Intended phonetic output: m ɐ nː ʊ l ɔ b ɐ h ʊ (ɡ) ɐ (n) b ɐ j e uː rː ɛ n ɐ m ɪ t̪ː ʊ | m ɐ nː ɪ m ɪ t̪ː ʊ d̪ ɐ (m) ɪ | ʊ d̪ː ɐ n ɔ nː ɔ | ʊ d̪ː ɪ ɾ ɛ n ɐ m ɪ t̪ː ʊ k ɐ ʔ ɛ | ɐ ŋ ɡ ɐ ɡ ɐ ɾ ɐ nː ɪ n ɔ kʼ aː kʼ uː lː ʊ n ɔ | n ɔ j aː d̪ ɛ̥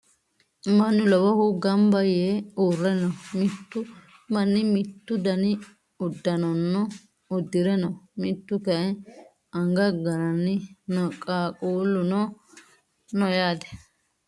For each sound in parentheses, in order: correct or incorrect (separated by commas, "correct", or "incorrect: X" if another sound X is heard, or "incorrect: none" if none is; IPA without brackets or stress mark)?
correct, incorrect: m, incorrect: n